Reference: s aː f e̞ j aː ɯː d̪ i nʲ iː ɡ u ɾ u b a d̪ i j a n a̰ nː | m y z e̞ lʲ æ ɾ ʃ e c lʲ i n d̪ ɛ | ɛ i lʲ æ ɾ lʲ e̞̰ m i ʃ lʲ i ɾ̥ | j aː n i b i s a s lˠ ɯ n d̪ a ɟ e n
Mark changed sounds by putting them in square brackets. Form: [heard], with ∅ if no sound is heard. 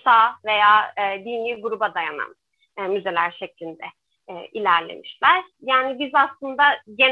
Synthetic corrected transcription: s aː [v] e̞ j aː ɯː d̪ i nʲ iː ɡ u ɾ u b a d̪ [a] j a n a̰ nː | m y z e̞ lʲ æ ɾ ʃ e c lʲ i n d̪ ɛ | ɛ i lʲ æ ɾ lʲ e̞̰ m i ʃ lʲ [æ] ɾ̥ | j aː n i b i [z] a s lˠ ɯ n d̪ a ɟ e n